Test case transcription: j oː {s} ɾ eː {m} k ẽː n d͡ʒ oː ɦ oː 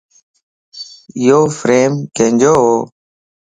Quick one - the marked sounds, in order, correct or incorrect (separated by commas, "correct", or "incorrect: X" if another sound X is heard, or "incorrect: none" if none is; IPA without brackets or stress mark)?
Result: incorrect: f, correct